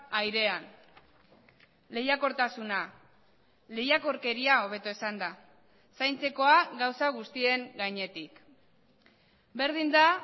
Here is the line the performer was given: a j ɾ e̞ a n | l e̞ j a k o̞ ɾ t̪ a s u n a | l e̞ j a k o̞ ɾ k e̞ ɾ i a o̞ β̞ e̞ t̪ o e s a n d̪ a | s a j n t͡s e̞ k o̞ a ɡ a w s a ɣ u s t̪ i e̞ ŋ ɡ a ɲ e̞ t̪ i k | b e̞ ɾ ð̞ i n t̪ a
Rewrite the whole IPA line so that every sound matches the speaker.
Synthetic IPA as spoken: a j ɾ e̞ a n | l e̞ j a k o̞ ɾ t̪ a s u n a | l e̞ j a k o̞ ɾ k e̞ ɾ i a o̞ β̞ e̞ t̪ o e s a n d̪ a | s a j n t͡s e̞ k o̞ a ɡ a w s a ɣ u s t̪ i e̞ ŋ ɡ a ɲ e̞ t̪ i k | b e̞ ɾ ð̞ i n d̪ a